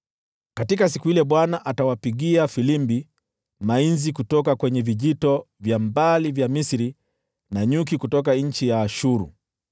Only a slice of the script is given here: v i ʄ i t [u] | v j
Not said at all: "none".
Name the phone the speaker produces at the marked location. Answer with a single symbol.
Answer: ɔ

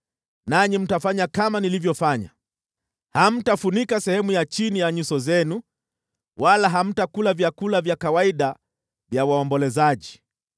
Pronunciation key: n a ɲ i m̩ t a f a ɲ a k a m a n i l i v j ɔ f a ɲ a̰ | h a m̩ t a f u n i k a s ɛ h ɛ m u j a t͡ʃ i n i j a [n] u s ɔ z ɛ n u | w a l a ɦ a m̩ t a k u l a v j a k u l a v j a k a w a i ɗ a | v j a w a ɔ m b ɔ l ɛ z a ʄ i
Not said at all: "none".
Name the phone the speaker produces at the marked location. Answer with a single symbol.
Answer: ɲ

